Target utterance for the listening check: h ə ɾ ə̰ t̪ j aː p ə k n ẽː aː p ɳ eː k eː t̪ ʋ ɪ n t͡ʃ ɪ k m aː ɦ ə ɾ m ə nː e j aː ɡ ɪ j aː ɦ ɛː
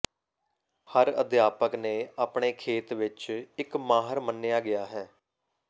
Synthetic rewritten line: h ə ɾ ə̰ d̪ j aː p ə k n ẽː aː p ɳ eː kʰ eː t̪ ʋ ɪ t͡ʃ ɪ k m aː ɦ ə ɾ m ə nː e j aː ɡ ɪ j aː ɦ ɛː